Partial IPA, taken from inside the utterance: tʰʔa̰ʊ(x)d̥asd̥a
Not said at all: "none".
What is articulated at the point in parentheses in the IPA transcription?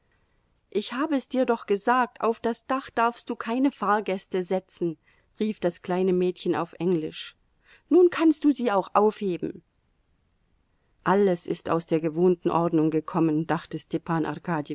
f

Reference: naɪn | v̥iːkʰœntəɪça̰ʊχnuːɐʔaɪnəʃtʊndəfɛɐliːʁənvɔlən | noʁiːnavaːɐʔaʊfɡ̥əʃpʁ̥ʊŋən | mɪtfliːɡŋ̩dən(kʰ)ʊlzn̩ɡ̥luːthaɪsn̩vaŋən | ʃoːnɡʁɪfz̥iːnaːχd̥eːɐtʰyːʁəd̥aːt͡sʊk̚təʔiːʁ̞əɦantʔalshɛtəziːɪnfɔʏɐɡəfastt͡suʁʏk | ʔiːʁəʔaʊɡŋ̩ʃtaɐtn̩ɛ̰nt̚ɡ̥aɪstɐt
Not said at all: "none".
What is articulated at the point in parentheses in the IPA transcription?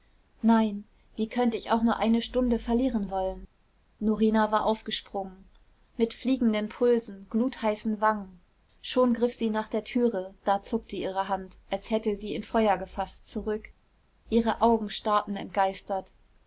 pʰ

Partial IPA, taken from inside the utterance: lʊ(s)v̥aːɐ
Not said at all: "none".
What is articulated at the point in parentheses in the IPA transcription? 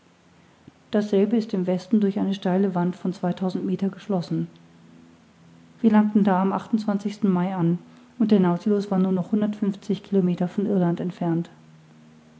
s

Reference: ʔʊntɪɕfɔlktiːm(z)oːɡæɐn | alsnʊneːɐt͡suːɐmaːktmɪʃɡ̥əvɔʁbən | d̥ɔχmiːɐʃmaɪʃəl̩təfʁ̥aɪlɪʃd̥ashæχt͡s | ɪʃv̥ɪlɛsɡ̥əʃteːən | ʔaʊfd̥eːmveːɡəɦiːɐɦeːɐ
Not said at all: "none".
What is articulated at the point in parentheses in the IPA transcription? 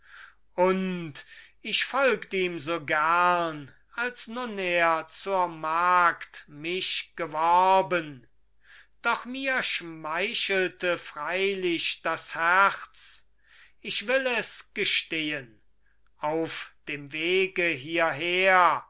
z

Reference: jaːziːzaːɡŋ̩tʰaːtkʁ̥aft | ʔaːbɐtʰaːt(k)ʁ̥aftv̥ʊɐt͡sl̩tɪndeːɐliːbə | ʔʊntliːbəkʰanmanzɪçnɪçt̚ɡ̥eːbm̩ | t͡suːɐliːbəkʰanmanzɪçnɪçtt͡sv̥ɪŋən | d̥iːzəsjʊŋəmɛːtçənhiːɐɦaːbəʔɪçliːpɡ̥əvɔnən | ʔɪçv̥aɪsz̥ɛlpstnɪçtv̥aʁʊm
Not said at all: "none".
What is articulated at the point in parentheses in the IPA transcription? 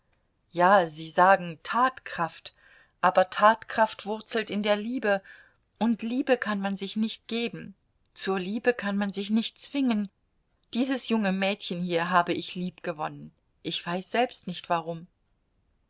k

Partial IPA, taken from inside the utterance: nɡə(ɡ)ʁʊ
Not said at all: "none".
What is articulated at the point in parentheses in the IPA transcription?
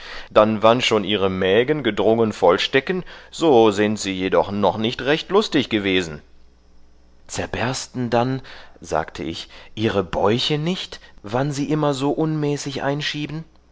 d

